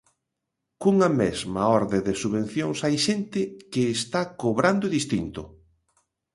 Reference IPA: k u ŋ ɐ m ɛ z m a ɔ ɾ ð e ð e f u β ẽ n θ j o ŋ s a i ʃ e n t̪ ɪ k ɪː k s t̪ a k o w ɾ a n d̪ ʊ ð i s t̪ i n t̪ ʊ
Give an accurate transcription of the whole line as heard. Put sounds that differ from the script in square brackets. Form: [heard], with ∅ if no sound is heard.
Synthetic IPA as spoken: k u ŋ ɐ m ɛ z m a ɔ ɾ ð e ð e [s] u β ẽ n θ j o ŋ s a [j] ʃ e n t̪ ɪ k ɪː [∅] s t̪ a k o [β] ɾ a n d̪ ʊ ð i s t̪ i n t̪ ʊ